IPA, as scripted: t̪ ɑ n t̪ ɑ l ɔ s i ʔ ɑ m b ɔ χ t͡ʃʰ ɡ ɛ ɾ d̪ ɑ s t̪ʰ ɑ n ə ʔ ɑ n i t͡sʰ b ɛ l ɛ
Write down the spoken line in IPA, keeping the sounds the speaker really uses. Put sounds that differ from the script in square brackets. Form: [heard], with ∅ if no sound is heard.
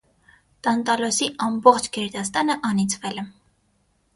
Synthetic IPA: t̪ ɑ n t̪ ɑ l ɔ s i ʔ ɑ m b ɔ χ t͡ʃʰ ɡ ɛ ɾ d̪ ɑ s [t̪] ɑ n ə ʔ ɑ n i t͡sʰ [v] ɛ l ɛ

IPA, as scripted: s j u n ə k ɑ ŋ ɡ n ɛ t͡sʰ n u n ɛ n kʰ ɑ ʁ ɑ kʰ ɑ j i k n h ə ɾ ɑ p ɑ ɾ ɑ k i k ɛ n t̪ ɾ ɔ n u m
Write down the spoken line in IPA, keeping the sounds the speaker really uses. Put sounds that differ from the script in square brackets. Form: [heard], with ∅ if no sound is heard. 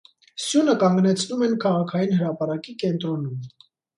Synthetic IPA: s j u n ə k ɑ ŋ ɡ n ɛ t͡sʰ n u [m] ɛ n kʰ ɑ ʁ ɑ kʰ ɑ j i [∅] n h ə ɾ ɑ p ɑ ɾ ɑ k i k ɛ n t̪ ɾ ɔ n u m

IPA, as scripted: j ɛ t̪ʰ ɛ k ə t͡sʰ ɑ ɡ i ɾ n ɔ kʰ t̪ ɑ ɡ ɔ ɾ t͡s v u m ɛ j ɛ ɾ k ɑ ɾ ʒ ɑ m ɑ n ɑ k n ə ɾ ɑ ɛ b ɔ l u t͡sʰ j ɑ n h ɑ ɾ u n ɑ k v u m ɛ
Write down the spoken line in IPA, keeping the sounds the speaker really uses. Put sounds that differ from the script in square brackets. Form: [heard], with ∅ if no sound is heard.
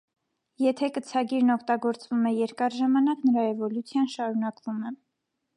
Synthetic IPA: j ɛ t̪ʰ ɛ k ə t͡sʰ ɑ ɡ i ɾ n ɔ kʰ t̪ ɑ ɡ ɔ ɾ t͡s v u m ɛ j ɛ ɾ k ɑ ɾ ʒ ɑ m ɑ n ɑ k n ə ɾ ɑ ɛ [v] ɔ l u t͡sʰ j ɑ n [ʃ] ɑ ɾ u n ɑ k v u m ɛ

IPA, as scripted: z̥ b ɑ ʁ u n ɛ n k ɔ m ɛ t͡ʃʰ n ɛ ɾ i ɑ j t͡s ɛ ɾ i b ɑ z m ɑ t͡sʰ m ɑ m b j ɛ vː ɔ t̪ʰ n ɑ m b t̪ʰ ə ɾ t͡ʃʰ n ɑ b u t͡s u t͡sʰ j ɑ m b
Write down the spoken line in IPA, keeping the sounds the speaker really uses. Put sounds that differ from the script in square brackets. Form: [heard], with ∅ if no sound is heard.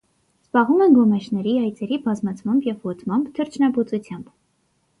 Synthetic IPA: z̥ b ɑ ʁ u [m] ɛ n [ɡ] ɔ m ɛ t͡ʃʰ n ɛ ɾ i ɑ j t͡s ɛ ɾ i b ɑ z m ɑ t͡sʰ m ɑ m b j ɛ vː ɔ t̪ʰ [m] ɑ m b t̪ʰ ə ɾ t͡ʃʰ n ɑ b u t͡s u t͡sʰ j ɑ m b

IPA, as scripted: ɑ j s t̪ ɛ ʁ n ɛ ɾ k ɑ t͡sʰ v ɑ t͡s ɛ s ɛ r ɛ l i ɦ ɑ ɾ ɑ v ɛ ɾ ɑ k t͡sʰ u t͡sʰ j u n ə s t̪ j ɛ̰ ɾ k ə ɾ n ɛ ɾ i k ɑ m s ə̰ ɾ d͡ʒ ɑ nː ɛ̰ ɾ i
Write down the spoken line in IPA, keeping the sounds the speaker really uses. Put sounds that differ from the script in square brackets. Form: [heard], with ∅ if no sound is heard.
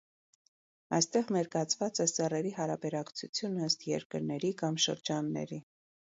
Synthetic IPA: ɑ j s t̪ ɛ ʁ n ɛ ɾ k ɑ t͡sʰ v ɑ t͡s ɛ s ɛ r ɛ [ɾ] i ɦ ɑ ɾ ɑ [b] ɛ ɾ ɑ k t͡sʰ u t͡sʰ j u n ə s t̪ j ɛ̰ ɾ k ə ɾ n ɛ ɾ i k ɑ m [ʃ] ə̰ ɾ d͡ʒ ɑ nː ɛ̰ ɾ i

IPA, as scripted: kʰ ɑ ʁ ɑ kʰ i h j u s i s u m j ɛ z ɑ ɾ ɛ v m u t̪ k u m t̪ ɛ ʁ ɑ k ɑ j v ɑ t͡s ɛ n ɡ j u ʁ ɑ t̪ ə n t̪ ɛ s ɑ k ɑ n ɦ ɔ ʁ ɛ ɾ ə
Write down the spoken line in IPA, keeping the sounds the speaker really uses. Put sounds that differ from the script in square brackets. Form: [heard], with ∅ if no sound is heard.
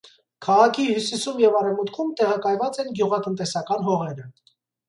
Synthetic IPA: kʰ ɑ ʁ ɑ kʰ i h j u s i s u m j ɛ [v] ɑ ɾ ɛ v m u t̪ [kʰ] u m t̪ ɛ ʁ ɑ k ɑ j v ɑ t͡s ɛ n ɡ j u ʁ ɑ t̪ ə n t̪ ɛ s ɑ k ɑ n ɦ ɔ ʁ ɛ ɾ ə

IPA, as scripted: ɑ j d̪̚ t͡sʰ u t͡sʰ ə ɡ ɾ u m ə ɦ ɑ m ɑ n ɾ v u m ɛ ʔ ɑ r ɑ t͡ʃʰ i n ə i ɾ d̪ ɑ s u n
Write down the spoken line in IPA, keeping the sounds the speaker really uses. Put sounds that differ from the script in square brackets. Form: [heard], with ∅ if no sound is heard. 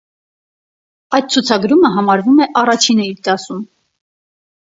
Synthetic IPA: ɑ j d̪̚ t͡sʰ u t͡sʰ [ɑ] ɡ ɾ u m ə ɦ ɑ m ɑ [∅] ɾ v u m ɛ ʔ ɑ r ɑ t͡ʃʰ i n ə i ɾ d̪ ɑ s u [m]

